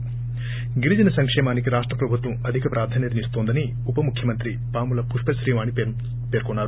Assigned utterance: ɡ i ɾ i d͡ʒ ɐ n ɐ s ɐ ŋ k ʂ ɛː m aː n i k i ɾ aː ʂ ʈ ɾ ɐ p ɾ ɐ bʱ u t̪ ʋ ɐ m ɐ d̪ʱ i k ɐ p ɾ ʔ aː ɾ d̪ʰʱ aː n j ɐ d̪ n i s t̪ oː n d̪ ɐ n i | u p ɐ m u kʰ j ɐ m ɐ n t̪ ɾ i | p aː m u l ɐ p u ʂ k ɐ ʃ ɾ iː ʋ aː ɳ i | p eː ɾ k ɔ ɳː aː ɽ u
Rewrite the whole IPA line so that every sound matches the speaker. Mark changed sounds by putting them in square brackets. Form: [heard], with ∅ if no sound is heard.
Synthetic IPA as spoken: ɡ i ɾ i d͡ʒ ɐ n ɐ s ɐ ŋ k ʂ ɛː m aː n i k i ɾ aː ʂ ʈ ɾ ɐ p ɾ ɐ bʱ u t̪ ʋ ɐ m ɐ d̪ʱ i k ɐ p ɾ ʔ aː ɾ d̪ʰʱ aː n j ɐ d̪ n i s t̪ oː n d̪ ɐ n i | u p ɐ m u kʰ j ɐ m ɐ n t̪ ɾ i | p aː m u l ɐ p u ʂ [p] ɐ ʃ ɾ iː ʋ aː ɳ i | p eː ɾ k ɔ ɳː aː [ɾ] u